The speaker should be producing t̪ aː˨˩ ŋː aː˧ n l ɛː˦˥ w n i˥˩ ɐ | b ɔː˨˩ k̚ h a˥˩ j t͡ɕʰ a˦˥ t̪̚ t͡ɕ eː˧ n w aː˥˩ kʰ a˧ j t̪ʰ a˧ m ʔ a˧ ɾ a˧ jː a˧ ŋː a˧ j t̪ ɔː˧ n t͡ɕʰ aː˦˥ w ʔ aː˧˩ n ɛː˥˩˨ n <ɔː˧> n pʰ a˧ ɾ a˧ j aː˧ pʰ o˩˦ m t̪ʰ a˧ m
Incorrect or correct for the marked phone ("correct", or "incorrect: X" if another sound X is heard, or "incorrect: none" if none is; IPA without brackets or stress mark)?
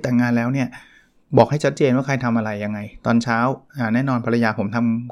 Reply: correct